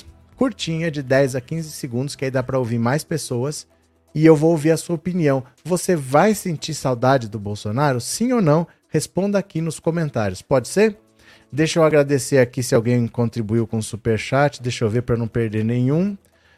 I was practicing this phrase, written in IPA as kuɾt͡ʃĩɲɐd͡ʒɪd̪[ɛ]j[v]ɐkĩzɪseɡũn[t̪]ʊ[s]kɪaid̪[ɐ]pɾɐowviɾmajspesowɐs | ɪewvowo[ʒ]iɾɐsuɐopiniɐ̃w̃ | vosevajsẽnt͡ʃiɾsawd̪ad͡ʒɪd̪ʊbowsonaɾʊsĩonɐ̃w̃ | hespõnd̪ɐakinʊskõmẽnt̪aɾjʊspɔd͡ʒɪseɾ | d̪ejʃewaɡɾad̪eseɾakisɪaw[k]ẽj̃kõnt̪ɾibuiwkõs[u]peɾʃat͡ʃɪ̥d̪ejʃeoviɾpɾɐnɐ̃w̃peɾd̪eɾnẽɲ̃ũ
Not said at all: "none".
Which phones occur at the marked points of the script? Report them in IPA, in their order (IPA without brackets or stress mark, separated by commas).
ɛ, z, d̪, s, a, v, ɡ, u